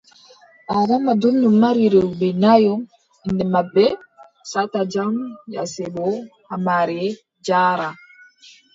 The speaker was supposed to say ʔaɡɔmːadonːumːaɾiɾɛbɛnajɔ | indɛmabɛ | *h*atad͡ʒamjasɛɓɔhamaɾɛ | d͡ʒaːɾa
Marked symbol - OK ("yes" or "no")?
no